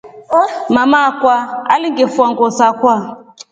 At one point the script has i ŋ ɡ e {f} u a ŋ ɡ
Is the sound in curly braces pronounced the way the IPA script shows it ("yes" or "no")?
yes